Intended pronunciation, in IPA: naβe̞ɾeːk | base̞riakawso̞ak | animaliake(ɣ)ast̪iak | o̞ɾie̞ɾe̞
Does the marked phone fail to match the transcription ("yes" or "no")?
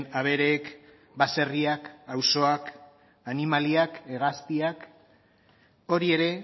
no